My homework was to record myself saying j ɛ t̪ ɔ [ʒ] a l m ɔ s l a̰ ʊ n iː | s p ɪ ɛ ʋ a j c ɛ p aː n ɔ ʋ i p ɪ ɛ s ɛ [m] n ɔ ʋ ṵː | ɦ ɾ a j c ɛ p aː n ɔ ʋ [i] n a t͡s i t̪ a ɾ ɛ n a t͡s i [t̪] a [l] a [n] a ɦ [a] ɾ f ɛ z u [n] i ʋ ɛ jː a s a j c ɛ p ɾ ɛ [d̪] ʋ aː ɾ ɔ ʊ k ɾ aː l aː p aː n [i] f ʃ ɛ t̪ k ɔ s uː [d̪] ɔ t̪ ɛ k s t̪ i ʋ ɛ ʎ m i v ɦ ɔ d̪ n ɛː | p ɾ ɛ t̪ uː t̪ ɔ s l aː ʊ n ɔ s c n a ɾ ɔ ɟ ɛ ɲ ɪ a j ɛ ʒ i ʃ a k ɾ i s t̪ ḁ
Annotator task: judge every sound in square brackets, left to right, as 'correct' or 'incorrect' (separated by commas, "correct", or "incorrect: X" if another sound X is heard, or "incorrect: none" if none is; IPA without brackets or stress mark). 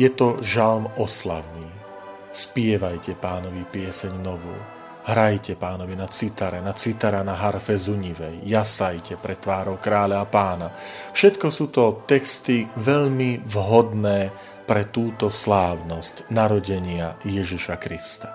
correct, incorrect: ɲ, correct, correct, incorrect: ɾ, correct, correct, incorrect: ɲ, incorrect: t̪, incorrect: a, incorrect: t̪